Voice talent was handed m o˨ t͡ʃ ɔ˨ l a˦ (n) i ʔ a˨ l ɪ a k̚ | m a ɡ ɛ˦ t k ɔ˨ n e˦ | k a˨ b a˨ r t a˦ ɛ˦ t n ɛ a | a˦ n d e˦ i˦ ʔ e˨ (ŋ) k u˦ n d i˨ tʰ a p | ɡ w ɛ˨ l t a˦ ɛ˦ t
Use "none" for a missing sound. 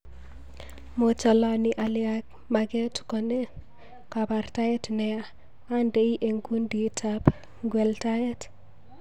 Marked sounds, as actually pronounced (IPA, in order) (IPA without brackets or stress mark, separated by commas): n, ŋ